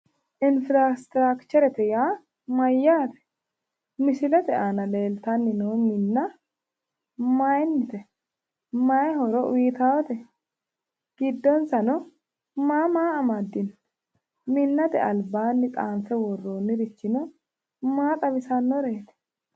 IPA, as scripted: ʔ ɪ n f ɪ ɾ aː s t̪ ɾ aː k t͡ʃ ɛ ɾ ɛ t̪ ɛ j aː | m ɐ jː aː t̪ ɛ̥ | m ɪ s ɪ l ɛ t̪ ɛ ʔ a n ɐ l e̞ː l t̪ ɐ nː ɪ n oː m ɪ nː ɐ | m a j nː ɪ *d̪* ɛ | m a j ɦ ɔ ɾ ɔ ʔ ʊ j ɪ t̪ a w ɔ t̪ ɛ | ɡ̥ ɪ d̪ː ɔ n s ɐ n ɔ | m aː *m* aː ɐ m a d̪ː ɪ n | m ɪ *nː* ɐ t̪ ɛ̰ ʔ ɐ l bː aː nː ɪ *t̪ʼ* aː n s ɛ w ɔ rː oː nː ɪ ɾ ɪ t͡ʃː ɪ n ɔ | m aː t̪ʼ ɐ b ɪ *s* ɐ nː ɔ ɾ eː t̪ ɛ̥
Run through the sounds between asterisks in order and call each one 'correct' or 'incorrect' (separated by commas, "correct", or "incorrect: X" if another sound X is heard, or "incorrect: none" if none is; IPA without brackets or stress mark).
incorrect: t̪, correct, correct, correct, correct